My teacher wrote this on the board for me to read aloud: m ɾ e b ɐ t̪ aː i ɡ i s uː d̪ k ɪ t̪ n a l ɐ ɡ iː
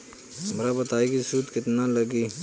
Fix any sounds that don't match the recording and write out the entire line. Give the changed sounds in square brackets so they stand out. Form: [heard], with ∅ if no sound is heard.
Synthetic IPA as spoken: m ɾ [a] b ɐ t̪ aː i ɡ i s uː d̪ k ɪ t̪ n a l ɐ ɡ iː